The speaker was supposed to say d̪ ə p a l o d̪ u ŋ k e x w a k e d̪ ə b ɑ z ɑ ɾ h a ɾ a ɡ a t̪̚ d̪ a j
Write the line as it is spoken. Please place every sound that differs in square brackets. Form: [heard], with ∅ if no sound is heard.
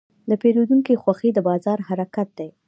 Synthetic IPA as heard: d̪ ə p [e] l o d̪ u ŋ k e x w a [x] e d̪ ə b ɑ z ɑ ɾ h a ɾ a [k] a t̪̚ d̪ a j